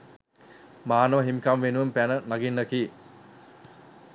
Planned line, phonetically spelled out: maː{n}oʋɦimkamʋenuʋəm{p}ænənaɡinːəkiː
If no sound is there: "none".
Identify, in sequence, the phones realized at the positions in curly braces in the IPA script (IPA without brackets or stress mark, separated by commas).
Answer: n, p